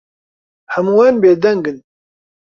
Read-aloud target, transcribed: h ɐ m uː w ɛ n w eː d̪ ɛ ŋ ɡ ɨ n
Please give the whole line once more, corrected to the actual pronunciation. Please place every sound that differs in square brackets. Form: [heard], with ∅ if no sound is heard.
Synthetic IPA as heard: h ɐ m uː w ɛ n [b] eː d̪ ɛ ŋ ɡ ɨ n